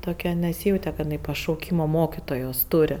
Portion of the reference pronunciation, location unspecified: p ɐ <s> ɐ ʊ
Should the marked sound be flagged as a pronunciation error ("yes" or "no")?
yes